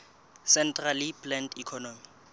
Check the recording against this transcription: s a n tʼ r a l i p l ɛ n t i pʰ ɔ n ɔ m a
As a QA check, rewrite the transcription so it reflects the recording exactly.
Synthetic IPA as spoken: s ɛ n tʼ r a l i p l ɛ n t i kʰ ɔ n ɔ m i